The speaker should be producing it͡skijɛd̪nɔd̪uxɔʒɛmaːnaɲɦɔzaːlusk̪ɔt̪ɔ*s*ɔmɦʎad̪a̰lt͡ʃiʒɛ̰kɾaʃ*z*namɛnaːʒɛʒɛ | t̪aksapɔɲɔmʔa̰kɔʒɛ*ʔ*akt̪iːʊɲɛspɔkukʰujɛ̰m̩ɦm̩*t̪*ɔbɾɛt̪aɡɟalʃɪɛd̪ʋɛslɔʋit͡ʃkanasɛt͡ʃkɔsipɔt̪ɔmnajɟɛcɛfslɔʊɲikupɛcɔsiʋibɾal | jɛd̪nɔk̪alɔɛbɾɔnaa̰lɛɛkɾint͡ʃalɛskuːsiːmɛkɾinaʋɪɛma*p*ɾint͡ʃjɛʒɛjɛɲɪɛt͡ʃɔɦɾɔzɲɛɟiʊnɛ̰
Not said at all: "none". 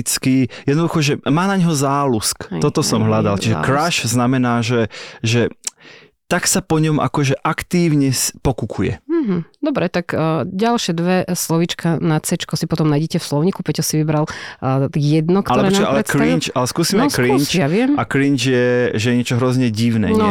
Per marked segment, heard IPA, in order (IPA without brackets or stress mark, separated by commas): s, z, ʔ, d̪, k